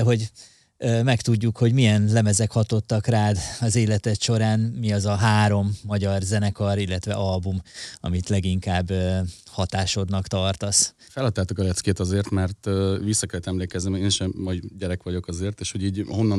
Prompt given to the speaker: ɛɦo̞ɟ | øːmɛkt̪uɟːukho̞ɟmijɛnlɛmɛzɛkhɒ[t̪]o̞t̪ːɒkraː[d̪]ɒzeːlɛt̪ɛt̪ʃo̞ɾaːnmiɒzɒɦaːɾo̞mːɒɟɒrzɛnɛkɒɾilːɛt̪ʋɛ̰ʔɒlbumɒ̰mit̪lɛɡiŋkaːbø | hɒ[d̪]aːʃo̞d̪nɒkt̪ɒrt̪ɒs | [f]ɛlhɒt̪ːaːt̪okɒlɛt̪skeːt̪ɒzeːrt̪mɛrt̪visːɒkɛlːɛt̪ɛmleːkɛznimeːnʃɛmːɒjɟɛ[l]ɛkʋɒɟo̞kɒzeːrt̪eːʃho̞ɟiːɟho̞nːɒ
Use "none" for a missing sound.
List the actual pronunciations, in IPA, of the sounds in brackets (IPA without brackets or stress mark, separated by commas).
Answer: t̪, d̪, t̪, f, ɾ